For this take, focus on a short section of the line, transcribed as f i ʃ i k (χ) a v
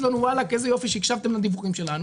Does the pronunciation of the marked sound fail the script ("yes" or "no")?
yes